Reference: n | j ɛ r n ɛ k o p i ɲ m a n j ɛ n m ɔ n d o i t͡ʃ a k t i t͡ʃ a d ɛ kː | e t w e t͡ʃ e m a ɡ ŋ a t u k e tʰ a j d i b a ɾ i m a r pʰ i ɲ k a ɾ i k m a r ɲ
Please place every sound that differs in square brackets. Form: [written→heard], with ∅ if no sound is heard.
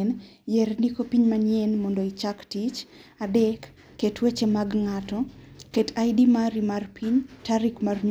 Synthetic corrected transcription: n | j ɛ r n [ɛ→i] k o p i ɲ m a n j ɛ n m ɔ n d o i t͡ʃ a k t i t͡ʃ a d ɛ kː | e t w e t͡ʃ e m a ɡ ŋ a t [u→ɔ] k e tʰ a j d i [b→m] a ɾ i m a r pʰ i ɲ [k→t] a ɾ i k m a r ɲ